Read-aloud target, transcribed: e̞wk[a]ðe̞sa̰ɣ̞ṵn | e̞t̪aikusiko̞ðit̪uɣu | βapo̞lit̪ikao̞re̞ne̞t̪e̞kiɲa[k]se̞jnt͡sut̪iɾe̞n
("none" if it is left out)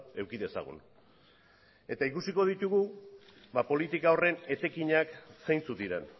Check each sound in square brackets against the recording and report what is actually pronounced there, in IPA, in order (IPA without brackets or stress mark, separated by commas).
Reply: i, k